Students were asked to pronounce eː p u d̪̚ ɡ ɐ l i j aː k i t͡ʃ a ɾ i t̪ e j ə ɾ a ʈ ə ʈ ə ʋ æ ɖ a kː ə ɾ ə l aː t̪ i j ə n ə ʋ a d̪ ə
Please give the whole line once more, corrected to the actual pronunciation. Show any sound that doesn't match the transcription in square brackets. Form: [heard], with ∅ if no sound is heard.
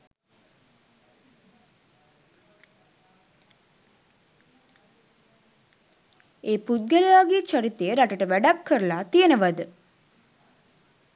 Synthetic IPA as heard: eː p u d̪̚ ɡ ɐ l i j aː [ɡ] i t͡ʃ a ɾ i t̪ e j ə ɾ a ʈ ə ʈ ə ʋ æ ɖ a kː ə ɾ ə l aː t̪ i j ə n ə ʋ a d̪ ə